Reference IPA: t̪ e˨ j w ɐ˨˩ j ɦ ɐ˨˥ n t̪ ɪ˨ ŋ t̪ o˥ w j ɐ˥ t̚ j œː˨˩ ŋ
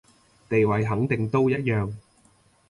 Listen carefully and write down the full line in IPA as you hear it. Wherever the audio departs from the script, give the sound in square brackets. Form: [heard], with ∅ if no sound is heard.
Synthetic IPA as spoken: t̪ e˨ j w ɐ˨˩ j ɦ ɐ˨˥ [ŋ] t̪ ɪ˨ ŋ t̪ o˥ w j ɐ˥ t̚ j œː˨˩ ŋ